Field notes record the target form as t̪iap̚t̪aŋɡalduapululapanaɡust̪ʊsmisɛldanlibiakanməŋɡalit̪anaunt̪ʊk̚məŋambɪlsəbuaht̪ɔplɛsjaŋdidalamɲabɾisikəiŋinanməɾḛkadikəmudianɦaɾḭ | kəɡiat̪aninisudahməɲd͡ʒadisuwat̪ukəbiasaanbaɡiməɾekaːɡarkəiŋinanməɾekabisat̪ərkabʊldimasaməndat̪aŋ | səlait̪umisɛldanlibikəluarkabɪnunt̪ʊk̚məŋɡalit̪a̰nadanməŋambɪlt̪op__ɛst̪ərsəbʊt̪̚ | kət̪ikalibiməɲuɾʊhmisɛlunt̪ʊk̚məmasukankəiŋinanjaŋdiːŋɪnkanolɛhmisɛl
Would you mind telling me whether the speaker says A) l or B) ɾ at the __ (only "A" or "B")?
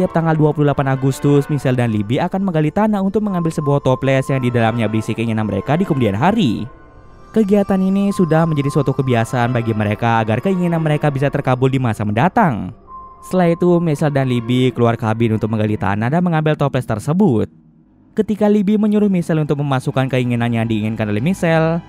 A